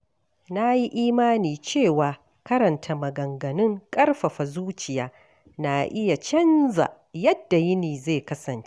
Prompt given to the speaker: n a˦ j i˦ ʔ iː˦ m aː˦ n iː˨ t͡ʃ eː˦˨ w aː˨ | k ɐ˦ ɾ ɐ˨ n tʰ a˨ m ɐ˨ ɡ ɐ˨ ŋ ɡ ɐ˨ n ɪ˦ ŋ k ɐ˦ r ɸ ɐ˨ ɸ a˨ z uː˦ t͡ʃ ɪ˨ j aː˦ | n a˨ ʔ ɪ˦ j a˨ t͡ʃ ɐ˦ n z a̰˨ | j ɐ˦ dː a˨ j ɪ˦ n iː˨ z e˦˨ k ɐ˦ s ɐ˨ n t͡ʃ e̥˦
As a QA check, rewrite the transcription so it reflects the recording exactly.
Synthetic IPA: n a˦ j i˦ ʔ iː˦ m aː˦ n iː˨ t͡ʃ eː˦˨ w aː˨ | k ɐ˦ ɾ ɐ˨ n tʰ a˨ m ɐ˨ ɡ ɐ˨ ŋ ɡ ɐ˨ n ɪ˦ ŋ kʼ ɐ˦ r ɸ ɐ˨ ɸ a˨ z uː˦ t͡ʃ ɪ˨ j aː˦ | n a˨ ʔ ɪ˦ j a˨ t͡ʃ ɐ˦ n z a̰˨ | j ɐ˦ dː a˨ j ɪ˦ n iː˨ z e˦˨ k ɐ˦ s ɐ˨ n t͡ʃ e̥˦